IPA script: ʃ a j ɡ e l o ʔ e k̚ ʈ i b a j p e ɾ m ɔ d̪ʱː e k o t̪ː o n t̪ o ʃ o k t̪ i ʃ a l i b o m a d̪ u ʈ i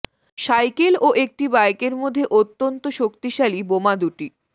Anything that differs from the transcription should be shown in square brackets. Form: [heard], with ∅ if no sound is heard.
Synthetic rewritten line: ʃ a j [k] e l o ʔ e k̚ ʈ i b a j [k] e ɾ m [o] d̪ʱː e [ʔ] o t̪ː o n t̪ o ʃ o k t̪ i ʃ a l i b o m a d̪ u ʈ i